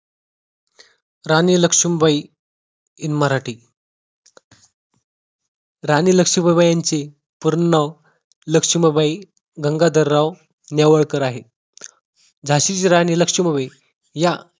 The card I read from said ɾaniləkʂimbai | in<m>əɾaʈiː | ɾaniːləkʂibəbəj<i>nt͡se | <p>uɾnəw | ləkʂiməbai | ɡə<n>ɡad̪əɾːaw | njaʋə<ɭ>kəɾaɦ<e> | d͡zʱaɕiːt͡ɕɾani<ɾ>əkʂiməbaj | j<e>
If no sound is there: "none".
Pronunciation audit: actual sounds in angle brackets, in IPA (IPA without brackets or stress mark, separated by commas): m, a, p, ŋ, ɭ, e, l, a